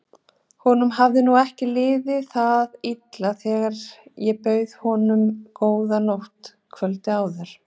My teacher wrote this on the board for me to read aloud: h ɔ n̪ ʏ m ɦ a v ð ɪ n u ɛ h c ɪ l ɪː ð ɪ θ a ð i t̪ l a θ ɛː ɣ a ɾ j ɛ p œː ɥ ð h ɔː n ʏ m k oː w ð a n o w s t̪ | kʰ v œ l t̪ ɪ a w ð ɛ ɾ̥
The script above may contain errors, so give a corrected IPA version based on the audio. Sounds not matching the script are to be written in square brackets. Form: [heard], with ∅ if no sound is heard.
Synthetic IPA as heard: h ɔ n̪ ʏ m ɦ a v ð ɪ n u ɛ h c ɪ l ɪː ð ɪ θ a ð i t̪ l a θ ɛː ɣ a ɾ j ɛ p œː ɥ ð h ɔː n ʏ m k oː w ð a n o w [h] t̪ | kʰ v œ l t̪ ɪ a w ð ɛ ɾ̥